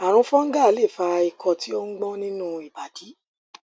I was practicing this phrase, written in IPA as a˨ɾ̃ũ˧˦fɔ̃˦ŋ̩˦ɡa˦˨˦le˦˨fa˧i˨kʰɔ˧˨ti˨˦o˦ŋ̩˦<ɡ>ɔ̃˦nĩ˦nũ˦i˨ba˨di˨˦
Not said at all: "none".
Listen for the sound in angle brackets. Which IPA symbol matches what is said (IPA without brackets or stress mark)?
ɡ͡b